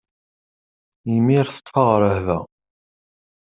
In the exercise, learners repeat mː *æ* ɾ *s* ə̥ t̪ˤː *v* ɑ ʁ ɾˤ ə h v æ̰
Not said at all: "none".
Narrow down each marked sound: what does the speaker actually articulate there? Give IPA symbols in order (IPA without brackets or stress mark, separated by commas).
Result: i, θ, f